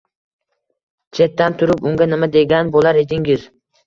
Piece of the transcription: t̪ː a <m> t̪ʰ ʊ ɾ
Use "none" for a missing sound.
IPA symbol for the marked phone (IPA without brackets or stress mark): n